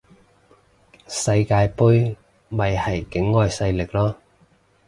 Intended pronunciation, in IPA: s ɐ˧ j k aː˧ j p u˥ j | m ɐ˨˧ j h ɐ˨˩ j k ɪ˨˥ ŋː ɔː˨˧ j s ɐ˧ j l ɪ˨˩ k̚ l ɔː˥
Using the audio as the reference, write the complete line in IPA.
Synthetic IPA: s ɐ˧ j k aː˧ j p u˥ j | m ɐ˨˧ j h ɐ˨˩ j k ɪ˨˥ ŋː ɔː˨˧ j s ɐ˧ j l ɪ˨˩ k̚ l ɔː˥